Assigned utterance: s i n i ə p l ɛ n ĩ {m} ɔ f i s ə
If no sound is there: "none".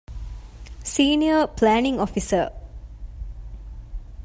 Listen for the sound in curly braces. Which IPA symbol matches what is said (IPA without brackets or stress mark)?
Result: ŋ